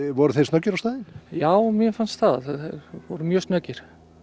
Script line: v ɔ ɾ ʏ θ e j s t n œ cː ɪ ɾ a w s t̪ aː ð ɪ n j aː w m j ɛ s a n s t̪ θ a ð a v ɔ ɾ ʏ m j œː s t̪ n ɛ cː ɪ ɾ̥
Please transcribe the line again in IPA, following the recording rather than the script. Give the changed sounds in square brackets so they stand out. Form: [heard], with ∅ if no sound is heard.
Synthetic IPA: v ɔ ɾ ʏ θ e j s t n œ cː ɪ ɾ a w s t̪ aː ð ɪ n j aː w m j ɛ [f] a n s t̪ θ a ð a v ɔ ɾ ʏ m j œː s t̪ n [œ] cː ɪ ɾ̥